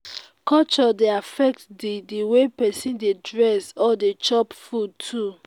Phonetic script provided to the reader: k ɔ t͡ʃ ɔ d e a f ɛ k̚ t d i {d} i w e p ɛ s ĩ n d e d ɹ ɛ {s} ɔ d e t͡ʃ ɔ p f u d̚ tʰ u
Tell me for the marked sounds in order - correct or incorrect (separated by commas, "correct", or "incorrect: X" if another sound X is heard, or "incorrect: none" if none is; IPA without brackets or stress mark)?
correct, correct